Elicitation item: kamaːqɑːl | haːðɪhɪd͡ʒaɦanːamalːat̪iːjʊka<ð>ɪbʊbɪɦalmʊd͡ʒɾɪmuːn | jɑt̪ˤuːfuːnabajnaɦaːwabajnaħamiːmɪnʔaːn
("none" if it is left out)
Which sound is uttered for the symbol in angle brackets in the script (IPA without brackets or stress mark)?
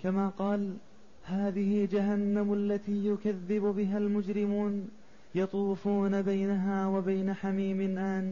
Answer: ðː